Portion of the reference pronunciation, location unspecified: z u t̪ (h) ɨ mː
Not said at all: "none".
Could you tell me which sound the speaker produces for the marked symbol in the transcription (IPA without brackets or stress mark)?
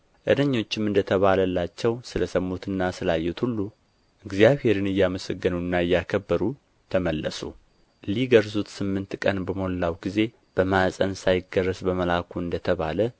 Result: s